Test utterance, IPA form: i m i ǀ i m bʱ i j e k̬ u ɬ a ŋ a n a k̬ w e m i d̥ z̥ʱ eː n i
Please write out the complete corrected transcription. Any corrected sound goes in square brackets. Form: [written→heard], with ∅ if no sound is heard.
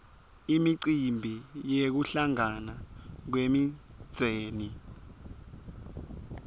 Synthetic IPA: i m i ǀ i m bʱ i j e k̬ u ɬ a ŋ a n a k̬ w e m i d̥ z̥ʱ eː n i